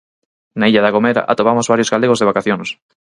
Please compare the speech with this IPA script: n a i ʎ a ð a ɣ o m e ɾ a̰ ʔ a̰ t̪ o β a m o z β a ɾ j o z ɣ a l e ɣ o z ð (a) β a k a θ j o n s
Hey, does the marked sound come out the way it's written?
no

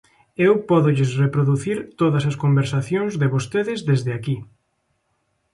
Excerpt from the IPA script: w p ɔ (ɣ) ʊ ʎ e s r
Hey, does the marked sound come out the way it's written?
no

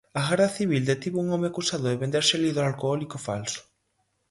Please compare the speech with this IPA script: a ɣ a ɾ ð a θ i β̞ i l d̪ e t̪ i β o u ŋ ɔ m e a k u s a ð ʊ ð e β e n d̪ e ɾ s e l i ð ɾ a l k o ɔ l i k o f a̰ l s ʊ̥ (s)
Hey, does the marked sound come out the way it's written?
no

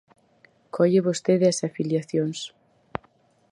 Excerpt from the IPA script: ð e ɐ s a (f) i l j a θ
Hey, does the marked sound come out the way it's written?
yes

